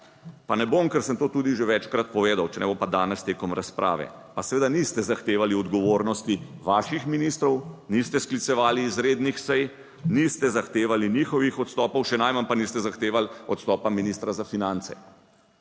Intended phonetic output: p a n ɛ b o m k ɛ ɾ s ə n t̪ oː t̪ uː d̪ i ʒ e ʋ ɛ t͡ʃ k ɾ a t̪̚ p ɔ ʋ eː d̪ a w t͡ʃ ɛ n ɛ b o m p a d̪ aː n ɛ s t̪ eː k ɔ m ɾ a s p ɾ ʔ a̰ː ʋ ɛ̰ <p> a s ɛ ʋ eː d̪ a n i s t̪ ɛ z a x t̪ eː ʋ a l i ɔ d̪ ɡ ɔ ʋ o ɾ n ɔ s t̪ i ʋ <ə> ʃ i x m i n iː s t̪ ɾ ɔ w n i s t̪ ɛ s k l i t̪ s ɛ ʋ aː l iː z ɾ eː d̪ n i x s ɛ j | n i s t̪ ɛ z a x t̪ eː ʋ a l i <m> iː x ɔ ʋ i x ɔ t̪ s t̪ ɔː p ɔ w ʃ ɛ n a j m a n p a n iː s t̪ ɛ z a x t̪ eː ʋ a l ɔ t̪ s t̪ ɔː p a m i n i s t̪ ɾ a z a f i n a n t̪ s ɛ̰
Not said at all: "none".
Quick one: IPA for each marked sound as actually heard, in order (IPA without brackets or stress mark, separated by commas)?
p, a, n